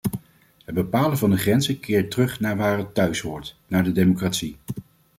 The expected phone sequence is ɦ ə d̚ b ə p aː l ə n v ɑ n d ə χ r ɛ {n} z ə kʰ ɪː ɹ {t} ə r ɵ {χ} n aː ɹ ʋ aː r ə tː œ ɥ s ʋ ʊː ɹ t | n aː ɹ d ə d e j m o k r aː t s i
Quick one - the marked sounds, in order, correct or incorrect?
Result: correct, correct, correct

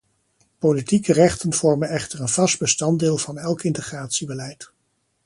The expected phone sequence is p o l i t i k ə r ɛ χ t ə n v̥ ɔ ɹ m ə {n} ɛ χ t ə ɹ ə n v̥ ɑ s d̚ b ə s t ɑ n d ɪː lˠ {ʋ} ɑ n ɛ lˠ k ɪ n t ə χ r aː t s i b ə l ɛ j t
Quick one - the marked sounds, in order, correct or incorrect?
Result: correct, incorrect: v

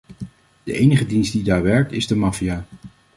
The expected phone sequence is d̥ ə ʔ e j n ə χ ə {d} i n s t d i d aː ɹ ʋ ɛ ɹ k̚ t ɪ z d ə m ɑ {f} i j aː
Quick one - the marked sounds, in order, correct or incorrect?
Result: correct, correct

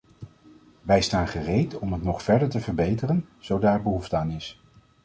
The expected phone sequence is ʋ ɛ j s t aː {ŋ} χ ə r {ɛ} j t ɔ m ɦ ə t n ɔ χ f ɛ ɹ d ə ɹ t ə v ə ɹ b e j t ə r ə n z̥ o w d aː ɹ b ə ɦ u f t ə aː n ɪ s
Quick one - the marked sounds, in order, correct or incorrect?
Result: incorrect: n, incorrect: e

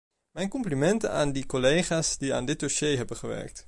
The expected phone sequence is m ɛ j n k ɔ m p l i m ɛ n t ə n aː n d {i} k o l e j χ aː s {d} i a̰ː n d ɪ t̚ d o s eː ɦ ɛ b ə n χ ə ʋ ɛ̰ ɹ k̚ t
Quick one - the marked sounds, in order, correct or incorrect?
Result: correct, correct

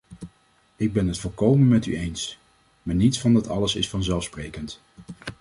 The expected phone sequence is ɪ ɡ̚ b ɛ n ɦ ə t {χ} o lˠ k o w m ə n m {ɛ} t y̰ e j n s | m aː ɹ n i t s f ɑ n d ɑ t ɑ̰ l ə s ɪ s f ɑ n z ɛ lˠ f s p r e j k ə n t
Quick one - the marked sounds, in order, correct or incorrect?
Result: incorrect: f, correct

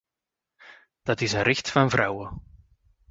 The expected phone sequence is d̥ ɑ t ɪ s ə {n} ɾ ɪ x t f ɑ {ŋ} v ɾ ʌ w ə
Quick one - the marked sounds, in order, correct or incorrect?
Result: correct, incorrect: n

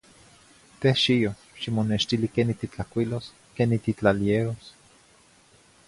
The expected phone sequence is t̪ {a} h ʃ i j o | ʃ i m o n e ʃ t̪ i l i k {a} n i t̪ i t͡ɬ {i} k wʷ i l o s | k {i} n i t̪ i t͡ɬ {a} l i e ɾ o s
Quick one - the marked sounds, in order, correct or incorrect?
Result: incorrect: e, incorrect: e, incorrect: a, incorrect: e, correct

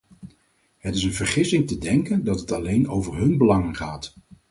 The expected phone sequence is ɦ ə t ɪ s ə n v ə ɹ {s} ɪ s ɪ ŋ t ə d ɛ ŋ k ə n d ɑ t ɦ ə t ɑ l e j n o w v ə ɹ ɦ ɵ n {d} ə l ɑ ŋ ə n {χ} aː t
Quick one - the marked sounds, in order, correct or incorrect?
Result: incorrect: χ, incorrect: b, correct

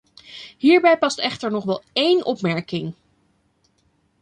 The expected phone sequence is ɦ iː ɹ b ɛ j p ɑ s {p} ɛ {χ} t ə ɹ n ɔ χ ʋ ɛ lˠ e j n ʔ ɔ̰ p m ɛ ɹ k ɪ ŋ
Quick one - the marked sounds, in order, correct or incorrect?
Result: incorrect: t, correct

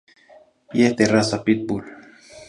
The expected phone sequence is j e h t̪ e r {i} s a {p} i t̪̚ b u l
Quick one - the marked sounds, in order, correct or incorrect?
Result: incorrect: a, correct

